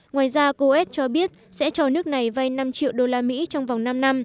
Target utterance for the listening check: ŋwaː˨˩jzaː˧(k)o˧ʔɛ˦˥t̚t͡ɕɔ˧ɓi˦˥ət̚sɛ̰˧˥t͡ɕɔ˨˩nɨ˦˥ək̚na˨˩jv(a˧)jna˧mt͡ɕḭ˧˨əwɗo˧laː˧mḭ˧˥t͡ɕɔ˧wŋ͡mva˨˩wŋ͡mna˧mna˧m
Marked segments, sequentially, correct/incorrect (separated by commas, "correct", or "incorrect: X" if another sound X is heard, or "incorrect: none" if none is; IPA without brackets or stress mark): correct, correct